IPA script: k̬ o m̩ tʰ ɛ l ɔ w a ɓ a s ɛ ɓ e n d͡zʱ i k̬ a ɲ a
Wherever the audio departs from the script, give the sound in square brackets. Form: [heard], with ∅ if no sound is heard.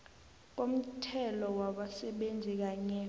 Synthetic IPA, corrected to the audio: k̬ o m̩ tʰ ɛ l ɔ w a ɓ a s ɛ ɓ e n d͡zʱ i k̬ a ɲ [ɛ]